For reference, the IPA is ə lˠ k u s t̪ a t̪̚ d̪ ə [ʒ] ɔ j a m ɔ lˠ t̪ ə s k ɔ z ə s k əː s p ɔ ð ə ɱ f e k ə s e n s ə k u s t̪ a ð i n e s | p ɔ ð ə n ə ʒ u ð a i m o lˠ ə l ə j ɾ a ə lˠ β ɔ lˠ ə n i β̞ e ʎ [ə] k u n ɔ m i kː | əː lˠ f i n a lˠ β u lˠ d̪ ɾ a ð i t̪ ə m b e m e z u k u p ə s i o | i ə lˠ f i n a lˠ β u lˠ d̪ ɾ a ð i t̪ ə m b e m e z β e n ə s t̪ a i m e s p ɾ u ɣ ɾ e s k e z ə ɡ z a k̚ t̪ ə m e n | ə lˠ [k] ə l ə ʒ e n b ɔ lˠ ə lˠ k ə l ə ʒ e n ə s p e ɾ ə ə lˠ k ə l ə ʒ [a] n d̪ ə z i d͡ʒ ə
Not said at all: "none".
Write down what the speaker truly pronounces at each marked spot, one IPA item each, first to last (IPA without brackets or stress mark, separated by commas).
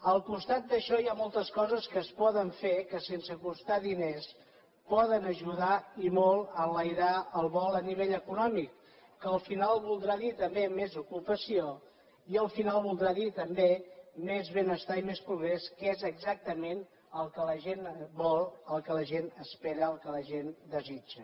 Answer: ʃ, ə, k, e